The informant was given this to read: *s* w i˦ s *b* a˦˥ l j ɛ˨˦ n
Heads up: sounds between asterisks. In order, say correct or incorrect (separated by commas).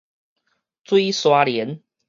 incorrect, incorrect